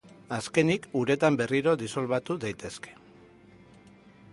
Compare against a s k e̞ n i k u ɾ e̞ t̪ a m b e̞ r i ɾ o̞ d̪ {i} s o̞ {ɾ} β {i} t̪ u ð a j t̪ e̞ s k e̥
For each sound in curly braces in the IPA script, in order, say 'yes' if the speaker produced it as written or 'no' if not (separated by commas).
yes, no, no